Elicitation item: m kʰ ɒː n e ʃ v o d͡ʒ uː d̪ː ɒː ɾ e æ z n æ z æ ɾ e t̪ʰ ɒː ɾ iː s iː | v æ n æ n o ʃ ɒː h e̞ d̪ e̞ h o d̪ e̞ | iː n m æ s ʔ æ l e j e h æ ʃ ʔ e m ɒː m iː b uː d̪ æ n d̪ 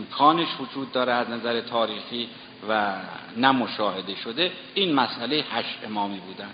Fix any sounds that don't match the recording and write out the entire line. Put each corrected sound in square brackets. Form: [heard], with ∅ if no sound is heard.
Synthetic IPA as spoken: m kʰ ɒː n e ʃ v o d͡ʒ uː d̪ː ɒː ɾ e æ z n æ z æ ɾ e t̪ʰ ɒː ɾ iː [x] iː | v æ n æ [m] o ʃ ɒː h e̞ d̪ e̞ [ʃ] o d̪ e̞ | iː n m æ s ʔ æ l e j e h æ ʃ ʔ e m ɒː m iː b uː d̪ æ n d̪